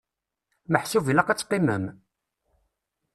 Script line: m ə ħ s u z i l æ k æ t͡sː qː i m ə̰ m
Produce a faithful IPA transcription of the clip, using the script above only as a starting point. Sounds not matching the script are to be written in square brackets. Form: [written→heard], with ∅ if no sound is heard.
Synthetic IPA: m ə ħ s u [z→v] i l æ [k→q] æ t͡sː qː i m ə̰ m